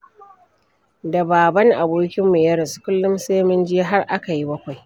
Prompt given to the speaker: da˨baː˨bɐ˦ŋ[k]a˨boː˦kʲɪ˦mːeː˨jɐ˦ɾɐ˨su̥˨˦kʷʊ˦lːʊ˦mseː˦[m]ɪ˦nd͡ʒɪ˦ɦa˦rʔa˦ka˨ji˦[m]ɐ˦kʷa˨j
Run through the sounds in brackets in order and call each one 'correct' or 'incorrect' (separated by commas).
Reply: incorrect, correct, incorrect